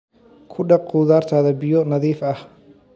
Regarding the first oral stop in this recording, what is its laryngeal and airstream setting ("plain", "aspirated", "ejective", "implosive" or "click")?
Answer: aspirated